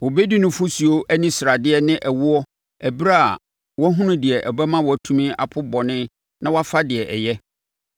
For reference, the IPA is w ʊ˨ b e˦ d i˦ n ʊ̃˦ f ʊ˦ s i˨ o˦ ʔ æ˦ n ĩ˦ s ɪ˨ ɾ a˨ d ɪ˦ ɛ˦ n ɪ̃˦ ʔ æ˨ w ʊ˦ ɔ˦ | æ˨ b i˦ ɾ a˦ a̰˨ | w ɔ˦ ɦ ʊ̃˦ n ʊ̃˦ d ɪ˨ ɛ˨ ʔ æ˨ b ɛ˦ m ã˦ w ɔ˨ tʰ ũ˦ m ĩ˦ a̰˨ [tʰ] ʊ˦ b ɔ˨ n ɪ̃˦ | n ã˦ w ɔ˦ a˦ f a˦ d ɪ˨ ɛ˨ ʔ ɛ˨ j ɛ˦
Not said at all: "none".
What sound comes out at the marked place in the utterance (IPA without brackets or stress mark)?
pʰ